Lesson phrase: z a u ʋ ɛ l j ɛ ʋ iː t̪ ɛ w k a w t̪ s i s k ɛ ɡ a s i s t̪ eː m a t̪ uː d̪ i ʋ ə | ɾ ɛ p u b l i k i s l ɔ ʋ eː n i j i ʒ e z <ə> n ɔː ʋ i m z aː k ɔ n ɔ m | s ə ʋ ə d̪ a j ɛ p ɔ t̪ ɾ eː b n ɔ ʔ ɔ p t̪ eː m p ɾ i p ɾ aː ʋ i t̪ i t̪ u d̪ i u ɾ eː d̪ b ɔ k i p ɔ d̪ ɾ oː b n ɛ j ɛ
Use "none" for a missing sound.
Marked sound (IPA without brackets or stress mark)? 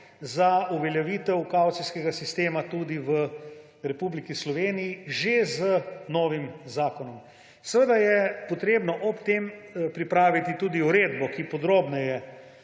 ə